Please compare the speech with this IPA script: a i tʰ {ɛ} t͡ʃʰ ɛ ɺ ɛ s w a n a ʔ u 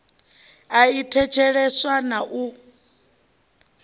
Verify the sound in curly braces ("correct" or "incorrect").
correct